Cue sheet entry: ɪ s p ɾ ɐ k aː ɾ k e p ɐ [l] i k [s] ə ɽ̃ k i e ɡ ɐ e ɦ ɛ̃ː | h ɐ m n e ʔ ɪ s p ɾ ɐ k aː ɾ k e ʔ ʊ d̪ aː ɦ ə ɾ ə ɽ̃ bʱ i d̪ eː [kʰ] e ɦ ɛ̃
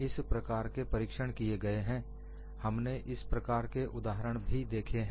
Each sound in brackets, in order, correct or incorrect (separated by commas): incorrect, incorrect, correct